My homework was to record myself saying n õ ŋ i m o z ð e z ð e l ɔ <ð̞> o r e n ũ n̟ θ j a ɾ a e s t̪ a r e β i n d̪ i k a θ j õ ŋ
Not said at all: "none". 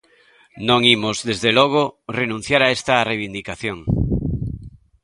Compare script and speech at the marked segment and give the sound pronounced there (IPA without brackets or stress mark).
ɣ̞